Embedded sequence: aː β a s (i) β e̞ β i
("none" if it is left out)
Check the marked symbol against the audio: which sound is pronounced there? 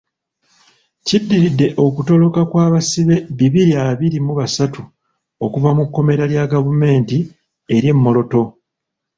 i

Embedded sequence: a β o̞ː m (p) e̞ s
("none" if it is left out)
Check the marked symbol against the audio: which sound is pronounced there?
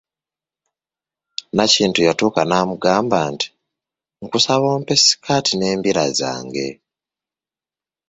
p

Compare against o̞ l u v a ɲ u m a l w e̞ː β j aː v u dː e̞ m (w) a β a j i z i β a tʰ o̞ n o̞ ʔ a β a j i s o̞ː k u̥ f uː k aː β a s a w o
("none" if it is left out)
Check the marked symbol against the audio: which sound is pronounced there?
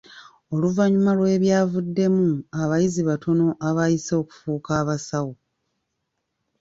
u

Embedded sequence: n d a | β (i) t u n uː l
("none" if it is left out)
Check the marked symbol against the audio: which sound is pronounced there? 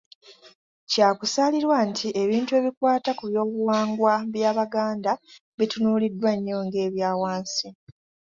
i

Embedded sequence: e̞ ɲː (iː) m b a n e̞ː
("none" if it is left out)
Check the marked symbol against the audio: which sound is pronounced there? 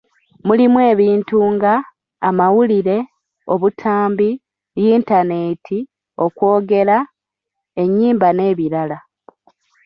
iː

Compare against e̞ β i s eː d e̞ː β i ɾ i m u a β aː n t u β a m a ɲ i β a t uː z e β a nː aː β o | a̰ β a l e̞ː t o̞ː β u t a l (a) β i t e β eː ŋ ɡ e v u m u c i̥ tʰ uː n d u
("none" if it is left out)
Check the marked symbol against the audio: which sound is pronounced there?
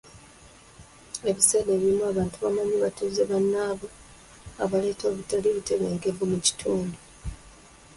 i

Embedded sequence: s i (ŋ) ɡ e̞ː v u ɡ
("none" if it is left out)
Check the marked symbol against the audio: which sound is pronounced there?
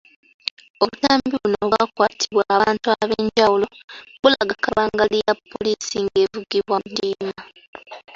ŋ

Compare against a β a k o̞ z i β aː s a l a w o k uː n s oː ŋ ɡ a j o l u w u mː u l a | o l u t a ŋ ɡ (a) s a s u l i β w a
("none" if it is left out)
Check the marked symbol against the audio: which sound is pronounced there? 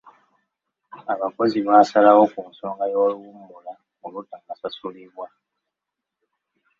a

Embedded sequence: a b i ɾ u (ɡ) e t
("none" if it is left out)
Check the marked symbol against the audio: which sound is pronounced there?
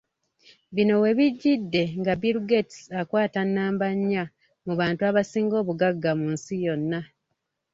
ɡ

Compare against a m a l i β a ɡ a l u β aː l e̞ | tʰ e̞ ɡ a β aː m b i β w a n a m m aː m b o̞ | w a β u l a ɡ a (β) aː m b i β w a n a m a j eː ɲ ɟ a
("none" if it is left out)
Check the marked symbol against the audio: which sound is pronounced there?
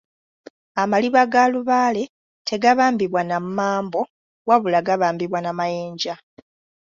β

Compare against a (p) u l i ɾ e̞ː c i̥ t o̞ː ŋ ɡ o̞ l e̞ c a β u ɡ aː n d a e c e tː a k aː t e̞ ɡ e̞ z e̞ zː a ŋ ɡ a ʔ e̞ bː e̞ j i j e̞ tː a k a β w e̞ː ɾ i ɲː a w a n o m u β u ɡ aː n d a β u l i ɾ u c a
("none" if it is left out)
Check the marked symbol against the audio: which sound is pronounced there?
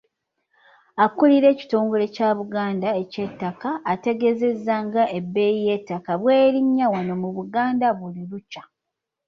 k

